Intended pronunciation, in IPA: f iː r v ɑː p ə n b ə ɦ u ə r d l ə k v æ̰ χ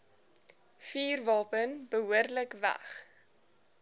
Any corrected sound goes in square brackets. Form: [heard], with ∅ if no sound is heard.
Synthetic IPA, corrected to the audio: f iː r v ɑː p ə n b ə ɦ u ə r d l ə k v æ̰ χ